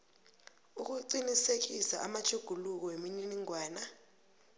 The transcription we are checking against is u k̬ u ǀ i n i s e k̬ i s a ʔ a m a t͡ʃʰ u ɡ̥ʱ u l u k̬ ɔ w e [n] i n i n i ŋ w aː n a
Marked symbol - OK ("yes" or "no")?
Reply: no